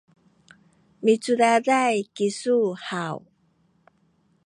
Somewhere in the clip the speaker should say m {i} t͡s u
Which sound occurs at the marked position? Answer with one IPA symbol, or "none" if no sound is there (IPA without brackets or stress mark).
i